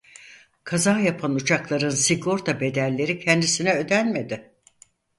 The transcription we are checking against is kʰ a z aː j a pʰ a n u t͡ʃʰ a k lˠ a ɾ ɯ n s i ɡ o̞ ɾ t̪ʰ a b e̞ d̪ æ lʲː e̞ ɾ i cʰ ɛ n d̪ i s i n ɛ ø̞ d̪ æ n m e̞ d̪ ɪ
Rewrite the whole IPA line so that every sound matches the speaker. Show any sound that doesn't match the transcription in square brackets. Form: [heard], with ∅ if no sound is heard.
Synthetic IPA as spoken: kʰ a z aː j a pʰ a n u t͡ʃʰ a k lˠ a ɾ ɯ n s i ɡ o̞ ɾ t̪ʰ a b e̞ d̪ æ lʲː e̞ ɾ i cʰ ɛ n d̪ i s i n ɛ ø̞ d̪ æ n m e̞ d̪ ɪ

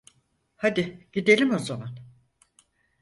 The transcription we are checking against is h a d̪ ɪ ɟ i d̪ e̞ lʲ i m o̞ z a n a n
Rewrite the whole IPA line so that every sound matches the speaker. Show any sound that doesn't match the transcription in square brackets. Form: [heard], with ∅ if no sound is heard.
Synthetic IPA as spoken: h a d̪ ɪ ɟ i d̪ e̞ lʲ i m o̞ z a [m] a n

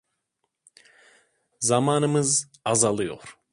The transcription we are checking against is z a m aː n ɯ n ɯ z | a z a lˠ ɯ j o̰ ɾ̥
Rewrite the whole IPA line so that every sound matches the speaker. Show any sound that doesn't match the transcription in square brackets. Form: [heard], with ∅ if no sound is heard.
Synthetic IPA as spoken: z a m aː n ɯ [m] ɯ z | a z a lˠ ɯ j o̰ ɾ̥

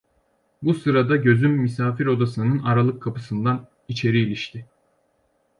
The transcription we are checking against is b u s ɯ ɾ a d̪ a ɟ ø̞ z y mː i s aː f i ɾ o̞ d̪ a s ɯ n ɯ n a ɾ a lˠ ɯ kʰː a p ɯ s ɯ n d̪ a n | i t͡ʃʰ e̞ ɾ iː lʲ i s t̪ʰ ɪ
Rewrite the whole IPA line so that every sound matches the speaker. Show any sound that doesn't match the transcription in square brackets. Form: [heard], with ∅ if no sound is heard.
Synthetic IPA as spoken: b u s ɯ ɾ a d̪ a ɟ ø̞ z y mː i s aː f i ɾ o̞ d̪ a s ɯ n ɯ n a ɾ a lˠ ɯ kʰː a p ɯ s ɯ n d̪ a n | i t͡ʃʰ e̞ ɾ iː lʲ i [ʃ] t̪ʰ ɪ

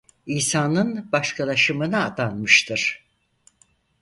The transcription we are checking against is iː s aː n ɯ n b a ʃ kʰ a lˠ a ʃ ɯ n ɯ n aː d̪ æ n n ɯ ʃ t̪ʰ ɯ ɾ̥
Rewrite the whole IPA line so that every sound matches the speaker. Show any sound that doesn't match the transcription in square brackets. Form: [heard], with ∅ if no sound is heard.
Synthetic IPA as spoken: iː s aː n ɯ n b a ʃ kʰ a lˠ a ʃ ɯ [m] ɯ n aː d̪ [a] n [m] ɯ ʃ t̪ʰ ɯ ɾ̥

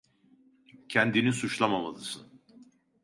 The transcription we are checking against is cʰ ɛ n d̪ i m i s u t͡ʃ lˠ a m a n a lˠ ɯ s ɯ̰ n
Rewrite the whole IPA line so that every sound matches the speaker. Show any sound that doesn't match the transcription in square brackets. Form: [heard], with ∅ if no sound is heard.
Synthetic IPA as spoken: cʰ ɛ n d̪ i [n] i s u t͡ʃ lˠ a m a [m] a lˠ ɯ s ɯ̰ n

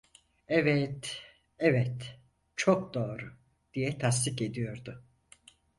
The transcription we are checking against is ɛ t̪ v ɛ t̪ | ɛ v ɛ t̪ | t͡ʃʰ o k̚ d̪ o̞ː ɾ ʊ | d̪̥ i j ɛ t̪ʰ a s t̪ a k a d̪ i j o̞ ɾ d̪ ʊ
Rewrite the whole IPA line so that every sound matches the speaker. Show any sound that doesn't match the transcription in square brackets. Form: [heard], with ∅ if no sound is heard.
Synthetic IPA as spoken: ɛ [∅] v ɛ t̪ | ɛ v ɛ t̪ | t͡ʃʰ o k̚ d̪ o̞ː ɾ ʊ | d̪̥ i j ɛ t̪ʰ a s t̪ [i] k [e] d̪ i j o̞ ɾ d̪ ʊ

